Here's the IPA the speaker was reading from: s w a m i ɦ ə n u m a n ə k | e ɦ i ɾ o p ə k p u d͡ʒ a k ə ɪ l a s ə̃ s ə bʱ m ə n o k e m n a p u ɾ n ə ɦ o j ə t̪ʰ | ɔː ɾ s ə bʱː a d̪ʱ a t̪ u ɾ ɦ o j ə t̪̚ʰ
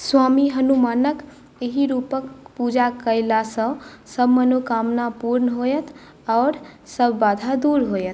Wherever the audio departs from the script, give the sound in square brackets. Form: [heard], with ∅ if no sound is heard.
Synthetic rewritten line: s w a m i ɦ ə n u m a n ə k | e ɦ i ɾ [u] p ə k p u d͡ʒ a k ə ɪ l a s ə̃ s ə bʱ m ə n o k [a] m n a p u ɾ n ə ɦ o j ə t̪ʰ | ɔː ɾ s ə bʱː a d̪ʱ a [d̪] u ɾ ɦ o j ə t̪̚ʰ